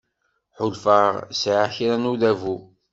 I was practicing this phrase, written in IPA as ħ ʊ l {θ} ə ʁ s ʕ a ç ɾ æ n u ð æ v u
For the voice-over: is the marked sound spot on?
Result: no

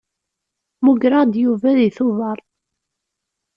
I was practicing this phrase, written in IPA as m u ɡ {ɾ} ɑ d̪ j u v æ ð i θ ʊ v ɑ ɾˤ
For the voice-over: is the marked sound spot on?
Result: yes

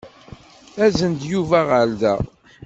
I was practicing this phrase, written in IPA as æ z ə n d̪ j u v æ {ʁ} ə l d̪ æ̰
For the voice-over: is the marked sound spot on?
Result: yes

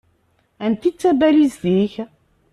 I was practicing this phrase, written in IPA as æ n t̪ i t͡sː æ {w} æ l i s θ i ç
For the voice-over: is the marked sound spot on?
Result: no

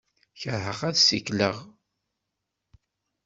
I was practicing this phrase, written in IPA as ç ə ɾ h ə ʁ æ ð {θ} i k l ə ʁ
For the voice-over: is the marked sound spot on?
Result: no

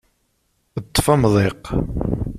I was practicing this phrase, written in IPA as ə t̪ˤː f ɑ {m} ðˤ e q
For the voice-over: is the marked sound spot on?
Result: yes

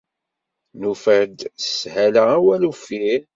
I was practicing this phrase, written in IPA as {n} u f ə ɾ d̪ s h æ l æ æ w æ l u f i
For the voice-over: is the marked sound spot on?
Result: yes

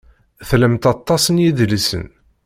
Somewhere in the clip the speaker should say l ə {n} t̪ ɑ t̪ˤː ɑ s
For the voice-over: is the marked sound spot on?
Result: no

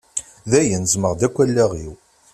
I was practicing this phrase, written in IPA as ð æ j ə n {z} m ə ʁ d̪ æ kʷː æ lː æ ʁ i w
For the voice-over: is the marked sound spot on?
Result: yes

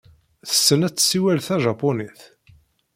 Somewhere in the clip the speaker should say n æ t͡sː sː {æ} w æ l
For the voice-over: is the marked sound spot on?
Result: no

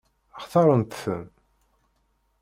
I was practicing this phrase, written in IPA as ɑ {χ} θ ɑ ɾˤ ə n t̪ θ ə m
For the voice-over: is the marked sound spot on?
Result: yes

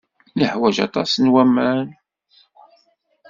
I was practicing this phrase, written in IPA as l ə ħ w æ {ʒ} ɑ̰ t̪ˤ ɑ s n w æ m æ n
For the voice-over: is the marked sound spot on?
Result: yes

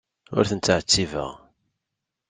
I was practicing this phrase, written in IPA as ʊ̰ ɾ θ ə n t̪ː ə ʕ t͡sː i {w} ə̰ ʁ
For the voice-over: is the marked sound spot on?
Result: no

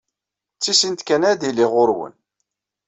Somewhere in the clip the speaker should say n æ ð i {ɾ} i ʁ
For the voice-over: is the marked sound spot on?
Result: no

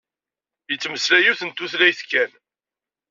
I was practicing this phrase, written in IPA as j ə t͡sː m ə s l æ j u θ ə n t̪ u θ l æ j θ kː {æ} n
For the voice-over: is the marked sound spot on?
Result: yes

